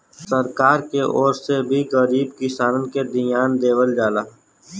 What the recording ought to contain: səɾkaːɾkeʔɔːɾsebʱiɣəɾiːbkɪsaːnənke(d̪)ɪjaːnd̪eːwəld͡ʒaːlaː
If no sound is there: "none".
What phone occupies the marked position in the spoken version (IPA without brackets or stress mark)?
d̪